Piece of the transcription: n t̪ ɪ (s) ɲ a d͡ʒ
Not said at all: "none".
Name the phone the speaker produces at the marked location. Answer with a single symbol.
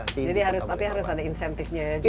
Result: f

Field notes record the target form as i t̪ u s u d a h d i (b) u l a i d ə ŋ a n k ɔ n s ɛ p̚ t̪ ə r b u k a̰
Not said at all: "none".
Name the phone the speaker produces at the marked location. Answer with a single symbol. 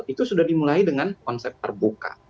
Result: m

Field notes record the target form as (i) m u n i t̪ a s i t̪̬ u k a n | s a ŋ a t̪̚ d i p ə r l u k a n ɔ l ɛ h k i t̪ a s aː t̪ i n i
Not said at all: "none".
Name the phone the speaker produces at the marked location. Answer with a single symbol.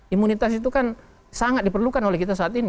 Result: i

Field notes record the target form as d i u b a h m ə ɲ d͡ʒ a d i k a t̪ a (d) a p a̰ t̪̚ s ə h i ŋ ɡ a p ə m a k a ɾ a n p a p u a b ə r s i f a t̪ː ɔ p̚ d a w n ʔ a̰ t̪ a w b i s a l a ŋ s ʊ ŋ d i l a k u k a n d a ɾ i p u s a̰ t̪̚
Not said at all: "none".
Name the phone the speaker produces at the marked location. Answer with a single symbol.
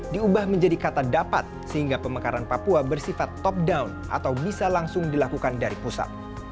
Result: d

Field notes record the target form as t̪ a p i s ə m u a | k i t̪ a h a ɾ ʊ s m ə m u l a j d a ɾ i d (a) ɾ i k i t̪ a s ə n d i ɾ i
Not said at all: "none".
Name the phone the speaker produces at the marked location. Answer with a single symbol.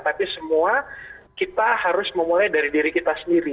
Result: i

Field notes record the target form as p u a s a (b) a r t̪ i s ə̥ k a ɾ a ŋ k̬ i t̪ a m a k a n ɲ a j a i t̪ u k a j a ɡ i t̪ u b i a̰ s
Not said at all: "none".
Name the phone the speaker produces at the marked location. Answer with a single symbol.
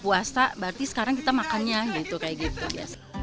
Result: b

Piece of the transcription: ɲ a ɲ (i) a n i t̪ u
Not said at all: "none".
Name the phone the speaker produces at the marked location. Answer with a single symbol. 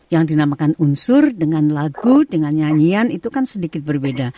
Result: i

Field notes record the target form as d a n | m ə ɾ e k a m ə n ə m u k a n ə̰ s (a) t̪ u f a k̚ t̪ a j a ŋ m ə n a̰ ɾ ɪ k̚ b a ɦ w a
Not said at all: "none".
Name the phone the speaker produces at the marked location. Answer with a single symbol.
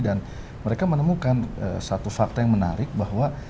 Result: a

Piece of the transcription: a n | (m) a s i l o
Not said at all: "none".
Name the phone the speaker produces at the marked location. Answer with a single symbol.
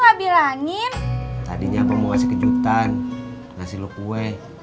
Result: ŋ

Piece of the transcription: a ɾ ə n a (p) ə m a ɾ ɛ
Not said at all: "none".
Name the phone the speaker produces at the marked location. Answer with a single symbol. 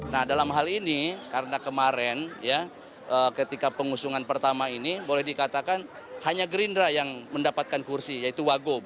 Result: k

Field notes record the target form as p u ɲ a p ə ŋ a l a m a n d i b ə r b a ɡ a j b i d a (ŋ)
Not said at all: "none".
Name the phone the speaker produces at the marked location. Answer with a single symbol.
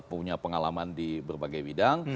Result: ŋ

